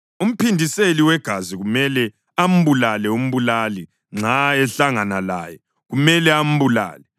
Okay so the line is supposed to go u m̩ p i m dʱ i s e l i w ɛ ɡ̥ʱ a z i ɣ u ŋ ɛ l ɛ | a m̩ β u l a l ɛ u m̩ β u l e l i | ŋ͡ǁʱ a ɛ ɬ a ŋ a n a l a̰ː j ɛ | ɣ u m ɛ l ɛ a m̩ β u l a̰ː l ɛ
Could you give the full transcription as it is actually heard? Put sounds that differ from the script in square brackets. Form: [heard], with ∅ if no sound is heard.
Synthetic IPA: u m̩ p i [n] dʱ i s e l i w ɛ ɡ̥ʱ a z i ɣ u [m] ɛ l ɛ | a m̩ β u l a l ɛ u m̩ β u l [a] l i | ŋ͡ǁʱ a ɛ ɬ a ŋ a n a l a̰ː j ɛ | ɣ u m ɛ l ɛ a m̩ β u l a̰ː l ɛ